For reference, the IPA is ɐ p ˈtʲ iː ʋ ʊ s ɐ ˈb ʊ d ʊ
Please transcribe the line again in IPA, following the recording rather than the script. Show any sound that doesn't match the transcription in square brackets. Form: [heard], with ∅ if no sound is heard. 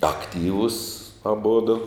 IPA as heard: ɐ [k] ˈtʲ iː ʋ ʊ s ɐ ˈb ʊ d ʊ